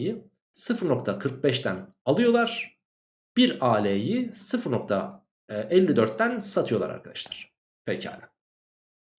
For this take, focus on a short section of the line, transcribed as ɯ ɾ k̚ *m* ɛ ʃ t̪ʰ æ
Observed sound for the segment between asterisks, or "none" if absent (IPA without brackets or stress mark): b